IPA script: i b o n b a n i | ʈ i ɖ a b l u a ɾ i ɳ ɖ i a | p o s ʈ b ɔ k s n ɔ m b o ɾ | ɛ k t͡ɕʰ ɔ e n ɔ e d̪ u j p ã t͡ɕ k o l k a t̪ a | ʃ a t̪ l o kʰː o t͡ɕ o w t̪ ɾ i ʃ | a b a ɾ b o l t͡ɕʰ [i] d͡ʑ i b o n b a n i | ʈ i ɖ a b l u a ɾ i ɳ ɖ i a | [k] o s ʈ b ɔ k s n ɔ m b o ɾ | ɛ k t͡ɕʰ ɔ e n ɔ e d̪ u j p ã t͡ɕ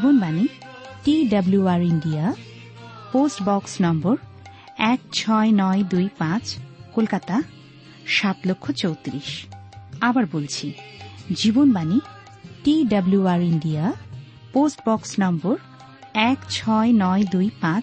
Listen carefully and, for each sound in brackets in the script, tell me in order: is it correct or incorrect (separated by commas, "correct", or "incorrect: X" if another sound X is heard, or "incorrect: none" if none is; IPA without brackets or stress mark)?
correct, incorrect: p